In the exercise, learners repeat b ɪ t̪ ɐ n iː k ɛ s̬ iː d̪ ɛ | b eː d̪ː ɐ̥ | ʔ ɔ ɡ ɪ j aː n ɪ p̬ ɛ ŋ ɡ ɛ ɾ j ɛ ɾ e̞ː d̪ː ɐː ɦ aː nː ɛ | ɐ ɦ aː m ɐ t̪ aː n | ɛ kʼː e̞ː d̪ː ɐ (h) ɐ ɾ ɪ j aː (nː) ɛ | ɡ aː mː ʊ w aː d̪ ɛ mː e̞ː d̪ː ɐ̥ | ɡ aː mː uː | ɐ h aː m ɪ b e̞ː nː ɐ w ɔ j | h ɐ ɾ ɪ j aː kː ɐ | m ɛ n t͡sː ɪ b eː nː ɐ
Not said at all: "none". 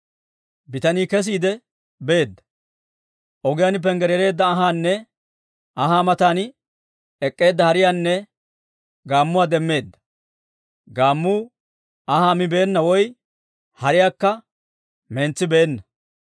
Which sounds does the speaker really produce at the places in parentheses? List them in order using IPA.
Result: h, nː

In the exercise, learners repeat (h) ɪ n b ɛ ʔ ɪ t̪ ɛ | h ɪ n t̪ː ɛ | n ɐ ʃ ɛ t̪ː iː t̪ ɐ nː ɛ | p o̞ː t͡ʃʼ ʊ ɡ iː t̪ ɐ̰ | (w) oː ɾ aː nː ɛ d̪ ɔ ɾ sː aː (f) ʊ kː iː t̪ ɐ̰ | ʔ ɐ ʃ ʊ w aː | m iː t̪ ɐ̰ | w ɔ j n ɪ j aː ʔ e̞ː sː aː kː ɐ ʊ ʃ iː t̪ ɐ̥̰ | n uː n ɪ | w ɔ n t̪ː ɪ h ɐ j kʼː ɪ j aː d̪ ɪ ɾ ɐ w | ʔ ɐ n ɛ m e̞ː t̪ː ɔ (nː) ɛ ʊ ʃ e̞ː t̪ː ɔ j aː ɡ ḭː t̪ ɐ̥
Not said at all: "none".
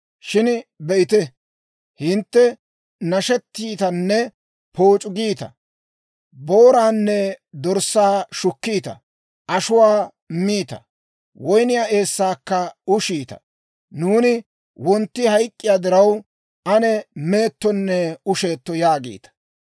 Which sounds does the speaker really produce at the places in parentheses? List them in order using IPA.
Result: ʃ, b, ʃ, nː

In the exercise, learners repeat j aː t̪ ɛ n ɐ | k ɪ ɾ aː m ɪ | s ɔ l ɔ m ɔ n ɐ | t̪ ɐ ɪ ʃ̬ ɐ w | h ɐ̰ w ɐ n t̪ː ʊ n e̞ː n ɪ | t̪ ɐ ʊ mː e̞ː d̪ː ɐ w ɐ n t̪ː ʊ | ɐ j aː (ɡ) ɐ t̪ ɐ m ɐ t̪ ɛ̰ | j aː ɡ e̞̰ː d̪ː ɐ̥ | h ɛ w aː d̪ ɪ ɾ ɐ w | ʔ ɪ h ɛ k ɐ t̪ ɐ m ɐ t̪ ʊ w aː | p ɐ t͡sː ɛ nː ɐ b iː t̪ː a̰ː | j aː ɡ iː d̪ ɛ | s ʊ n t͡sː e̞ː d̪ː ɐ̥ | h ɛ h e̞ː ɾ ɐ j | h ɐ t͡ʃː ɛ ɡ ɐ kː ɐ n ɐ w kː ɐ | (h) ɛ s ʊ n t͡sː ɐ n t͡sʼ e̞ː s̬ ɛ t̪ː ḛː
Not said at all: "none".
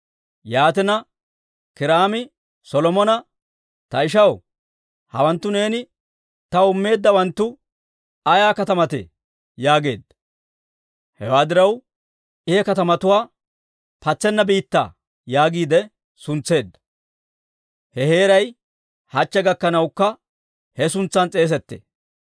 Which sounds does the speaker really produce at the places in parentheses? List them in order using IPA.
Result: k, h

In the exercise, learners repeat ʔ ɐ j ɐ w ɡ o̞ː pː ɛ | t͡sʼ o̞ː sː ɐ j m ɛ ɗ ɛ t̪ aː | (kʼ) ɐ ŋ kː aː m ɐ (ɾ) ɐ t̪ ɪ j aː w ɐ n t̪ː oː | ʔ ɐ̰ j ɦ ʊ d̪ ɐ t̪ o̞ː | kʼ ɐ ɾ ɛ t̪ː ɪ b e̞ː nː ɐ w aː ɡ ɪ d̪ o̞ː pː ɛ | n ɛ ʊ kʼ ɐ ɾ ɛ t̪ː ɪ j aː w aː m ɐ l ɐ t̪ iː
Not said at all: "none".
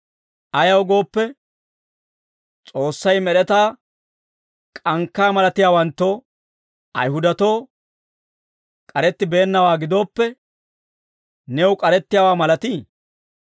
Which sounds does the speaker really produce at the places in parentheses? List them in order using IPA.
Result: kʼ, l

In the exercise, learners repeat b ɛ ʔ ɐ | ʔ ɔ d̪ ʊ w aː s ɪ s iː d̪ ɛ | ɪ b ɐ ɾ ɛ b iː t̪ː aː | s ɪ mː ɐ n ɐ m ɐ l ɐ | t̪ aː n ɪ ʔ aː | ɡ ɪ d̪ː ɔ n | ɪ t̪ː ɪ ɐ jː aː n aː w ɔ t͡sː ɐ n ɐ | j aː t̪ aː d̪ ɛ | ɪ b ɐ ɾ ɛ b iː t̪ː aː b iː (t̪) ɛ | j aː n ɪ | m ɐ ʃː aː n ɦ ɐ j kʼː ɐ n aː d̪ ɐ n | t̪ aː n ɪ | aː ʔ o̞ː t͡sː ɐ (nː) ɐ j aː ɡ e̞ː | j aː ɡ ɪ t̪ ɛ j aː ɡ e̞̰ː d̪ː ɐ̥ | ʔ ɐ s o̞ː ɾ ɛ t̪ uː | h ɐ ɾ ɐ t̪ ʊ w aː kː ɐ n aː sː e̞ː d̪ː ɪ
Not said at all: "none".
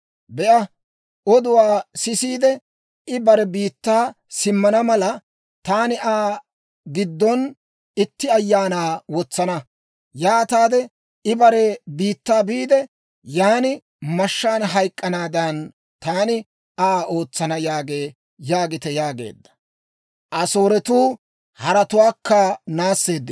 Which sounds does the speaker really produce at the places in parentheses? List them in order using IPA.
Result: d̪, n

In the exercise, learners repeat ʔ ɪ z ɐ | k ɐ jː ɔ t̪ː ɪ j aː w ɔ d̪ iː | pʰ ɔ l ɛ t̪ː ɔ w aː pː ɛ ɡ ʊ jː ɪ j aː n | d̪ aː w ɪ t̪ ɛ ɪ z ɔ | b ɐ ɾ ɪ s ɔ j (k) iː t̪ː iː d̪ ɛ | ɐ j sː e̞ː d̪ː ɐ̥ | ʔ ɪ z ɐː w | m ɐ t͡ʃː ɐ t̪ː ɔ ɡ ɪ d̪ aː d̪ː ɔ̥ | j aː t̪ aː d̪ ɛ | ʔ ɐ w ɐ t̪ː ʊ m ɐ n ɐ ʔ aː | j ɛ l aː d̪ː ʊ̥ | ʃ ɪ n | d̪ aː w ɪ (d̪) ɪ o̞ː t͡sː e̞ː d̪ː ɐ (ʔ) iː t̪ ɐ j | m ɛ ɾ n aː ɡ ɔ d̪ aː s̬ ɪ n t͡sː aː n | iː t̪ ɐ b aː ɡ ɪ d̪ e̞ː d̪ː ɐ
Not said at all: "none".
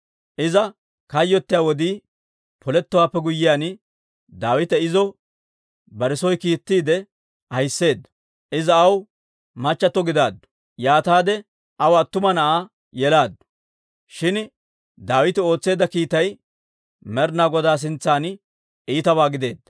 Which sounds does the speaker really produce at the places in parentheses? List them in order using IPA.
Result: k, t̪, k

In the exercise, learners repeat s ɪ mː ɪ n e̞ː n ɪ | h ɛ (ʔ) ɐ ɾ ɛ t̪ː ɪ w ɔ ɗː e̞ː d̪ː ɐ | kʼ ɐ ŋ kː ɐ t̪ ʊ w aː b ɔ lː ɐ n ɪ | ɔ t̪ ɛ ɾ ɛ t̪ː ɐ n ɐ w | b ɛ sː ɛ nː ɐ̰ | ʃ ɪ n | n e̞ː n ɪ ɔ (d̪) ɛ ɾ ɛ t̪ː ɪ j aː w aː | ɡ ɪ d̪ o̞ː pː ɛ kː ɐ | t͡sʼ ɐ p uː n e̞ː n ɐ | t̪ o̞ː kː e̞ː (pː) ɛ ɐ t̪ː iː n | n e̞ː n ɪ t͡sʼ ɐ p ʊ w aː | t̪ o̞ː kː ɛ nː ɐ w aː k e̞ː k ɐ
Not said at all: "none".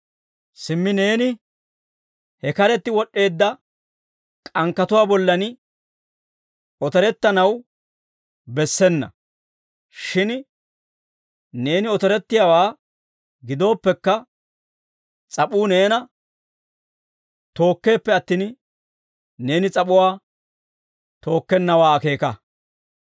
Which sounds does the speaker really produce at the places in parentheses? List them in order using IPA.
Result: k, t̪, pː

